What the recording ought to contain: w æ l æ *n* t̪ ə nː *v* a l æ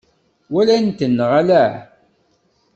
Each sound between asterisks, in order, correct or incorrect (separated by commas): correct, incorrect